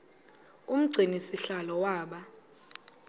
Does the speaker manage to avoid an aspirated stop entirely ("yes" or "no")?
yes